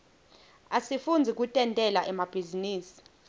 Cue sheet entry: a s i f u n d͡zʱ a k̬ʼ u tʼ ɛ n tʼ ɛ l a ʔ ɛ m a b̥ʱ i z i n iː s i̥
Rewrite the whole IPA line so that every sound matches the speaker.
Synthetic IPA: a s i f u n d͡zʱ i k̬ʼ u tʼ ɛ n tʼ ɛ l a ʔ ɛ m a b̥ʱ i z i n iː s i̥